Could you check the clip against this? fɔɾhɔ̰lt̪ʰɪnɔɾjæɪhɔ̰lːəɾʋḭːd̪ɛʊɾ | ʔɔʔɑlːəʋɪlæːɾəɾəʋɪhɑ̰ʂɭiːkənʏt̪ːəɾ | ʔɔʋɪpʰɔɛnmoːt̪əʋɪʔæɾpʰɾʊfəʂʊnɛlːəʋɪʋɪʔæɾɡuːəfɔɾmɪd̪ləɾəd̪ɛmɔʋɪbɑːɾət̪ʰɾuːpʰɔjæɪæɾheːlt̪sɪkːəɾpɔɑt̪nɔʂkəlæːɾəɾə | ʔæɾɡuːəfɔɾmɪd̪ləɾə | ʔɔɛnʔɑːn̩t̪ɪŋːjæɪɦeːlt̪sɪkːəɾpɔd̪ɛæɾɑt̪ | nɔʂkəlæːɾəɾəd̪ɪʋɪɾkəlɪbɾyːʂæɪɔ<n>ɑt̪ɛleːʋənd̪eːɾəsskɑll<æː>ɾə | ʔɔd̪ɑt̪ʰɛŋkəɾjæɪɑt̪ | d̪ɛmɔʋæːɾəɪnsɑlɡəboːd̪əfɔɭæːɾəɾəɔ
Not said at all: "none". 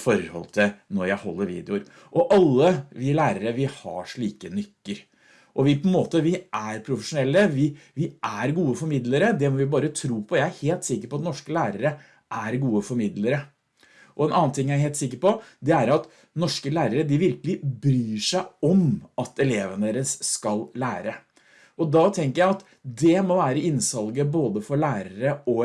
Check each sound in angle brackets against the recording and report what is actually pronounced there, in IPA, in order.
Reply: m, æː

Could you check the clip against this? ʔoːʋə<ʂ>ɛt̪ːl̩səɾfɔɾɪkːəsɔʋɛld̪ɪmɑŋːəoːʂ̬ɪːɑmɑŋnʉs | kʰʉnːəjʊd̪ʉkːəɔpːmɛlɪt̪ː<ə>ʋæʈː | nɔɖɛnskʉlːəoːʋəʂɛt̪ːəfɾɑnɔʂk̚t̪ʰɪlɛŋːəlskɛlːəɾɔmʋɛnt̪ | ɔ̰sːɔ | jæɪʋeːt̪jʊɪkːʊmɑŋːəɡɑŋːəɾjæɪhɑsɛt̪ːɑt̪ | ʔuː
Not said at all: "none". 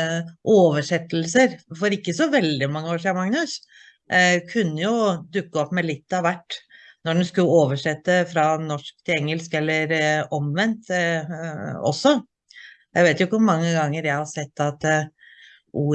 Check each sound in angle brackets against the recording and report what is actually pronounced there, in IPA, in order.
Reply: ʂ, ɑ

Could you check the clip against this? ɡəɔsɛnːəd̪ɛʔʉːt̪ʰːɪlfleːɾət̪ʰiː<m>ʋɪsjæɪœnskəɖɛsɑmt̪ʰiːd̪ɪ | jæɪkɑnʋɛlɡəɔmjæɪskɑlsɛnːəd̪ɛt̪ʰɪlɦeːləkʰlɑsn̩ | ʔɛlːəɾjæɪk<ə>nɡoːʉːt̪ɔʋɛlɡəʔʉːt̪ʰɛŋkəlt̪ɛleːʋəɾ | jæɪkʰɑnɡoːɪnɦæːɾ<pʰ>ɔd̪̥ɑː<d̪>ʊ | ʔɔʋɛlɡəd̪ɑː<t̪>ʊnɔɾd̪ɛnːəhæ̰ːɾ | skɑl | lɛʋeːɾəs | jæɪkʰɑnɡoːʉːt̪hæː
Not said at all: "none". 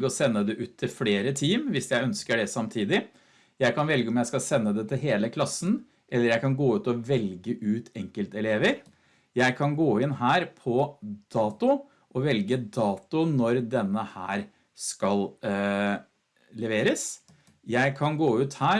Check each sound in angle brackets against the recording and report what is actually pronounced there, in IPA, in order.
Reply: m, ɑ, pʰ, t̪, t̪

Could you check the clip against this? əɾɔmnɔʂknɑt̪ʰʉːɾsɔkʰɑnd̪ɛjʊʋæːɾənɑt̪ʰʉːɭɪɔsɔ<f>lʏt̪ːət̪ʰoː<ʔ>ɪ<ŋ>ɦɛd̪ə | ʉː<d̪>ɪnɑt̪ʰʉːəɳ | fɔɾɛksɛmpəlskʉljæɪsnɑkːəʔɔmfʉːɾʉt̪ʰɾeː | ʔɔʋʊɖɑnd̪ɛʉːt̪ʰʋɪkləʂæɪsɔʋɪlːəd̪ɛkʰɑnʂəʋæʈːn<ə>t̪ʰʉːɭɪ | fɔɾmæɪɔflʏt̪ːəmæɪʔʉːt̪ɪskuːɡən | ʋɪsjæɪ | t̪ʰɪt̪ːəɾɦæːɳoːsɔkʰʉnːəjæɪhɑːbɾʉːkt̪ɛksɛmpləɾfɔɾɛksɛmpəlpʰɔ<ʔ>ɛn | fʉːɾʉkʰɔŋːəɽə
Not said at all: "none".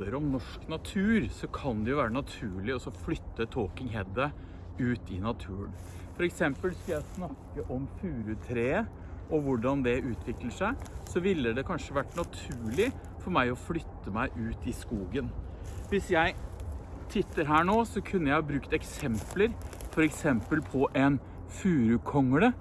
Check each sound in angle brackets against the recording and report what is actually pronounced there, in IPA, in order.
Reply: f, k, ŋ, t̪, ɑ, ʔ

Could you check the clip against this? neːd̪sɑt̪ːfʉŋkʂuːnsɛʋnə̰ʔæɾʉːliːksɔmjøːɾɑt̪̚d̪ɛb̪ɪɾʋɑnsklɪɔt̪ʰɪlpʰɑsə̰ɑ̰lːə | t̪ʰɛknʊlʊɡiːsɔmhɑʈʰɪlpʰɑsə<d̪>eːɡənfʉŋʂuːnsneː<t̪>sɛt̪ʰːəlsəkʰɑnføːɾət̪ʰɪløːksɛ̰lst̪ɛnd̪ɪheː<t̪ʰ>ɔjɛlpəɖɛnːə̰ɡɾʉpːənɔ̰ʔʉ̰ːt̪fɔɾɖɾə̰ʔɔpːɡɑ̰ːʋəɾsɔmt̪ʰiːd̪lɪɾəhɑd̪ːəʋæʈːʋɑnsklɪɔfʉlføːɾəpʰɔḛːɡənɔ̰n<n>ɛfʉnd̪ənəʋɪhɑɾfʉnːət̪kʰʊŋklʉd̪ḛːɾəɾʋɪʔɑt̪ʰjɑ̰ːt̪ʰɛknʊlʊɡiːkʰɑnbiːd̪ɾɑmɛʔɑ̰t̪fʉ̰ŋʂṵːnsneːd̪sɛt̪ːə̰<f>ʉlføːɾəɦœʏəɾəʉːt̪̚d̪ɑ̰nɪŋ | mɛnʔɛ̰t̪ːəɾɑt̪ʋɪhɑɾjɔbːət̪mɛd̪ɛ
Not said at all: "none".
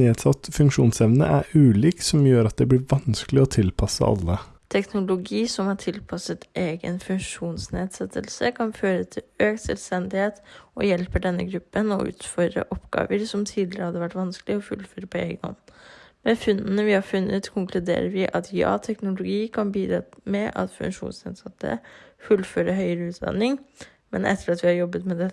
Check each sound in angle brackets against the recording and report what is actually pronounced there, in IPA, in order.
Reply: t̪, d̪, t̪, m, f

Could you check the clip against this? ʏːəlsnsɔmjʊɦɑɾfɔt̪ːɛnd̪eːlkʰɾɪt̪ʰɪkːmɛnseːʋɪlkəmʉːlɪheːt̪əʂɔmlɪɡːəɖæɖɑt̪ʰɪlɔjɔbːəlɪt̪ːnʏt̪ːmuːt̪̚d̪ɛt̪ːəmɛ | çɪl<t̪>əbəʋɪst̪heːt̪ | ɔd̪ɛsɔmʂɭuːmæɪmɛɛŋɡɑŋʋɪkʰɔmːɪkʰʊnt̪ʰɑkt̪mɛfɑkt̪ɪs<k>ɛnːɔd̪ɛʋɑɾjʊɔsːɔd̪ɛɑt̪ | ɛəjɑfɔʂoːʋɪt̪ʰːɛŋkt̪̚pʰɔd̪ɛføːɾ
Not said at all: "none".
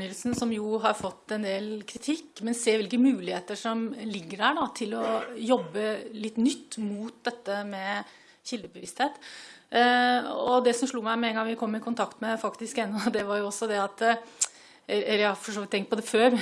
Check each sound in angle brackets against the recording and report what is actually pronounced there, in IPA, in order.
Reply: d̪, k

